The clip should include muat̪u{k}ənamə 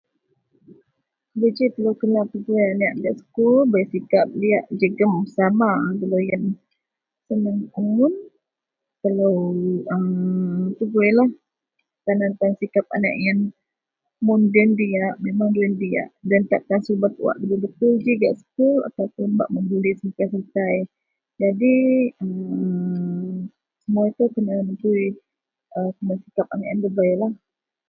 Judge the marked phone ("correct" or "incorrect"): correct